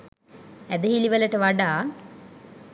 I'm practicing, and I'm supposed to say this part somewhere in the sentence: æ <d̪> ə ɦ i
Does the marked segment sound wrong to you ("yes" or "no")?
no